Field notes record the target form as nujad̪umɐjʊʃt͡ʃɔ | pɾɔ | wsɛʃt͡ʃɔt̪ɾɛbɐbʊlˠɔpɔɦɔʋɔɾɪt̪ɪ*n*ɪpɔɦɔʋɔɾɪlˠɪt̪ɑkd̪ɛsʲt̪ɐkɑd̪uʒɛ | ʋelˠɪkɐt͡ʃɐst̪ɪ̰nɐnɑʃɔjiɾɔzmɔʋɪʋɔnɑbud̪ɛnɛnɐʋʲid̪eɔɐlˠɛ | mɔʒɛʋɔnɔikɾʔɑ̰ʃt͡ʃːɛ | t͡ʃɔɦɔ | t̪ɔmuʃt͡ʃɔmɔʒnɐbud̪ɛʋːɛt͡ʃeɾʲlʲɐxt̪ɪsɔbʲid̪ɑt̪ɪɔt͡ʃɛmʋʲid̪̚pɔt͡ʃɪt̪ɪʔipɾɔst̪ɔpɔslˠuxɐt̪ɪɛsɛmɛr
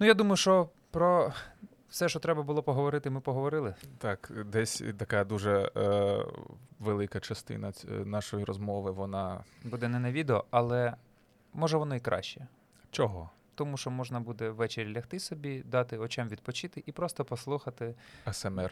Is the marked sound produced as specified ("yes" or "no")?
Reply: no